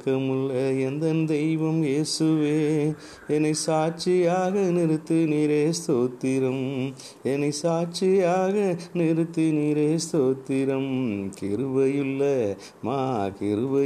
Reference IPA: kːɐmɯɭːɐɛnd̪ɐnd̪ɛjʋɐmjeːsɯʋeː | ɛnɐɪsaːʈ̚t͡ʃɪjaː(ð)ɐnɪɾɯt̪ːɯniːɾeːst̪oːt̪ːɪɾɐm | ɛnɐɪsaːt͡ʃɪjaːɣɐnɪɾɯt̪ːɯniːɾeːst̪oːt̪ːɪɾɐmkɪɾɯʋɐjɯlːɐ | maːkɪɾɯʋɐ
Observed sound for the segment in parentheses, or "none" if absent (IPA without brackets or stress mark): ɣ